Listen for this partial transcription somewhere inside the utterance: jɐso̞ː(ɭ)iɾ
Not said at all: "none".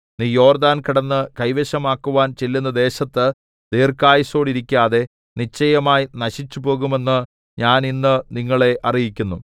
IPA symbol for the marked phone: ɽ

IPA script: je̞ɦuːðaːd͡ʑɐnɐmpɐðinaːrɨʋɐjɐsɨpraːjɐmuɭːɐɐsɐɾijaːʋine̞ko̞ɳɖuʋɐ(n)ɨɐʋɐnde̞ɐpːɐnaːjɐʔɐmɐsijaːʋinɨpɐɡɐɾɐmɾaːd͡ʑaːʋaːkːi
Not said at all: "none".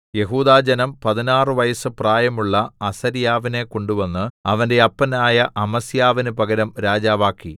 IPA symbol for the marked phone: nː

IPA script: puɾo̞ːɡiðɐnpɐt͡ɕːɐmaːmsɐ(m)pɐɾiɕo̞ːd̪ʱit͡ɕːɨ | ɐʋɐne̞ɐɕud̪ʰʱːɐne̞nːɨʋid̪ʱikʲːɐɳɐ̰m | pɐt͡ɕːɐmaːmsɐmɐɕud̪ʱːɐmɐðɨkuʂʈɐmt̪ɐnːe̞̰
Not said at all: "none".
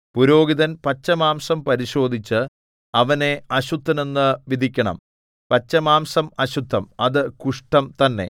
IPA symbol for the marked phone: m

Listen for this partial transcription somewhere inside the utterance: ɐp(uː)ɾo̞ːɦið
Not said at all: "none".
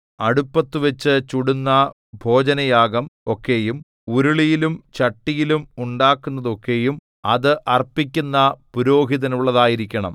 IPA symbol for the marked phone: u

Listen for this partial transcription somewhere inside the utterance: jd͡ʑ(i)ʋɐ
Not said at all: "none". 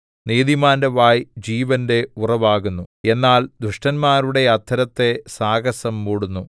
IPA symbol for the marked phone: iː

